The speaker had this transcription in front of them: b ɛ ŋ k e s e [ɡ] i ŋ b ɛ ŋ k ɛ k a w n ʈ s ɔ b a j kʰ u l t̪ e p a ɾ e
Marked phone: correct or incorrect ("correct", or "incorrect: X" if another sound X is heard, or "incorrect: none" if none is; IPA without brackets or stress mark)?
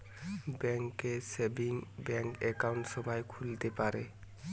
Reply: incorrect: b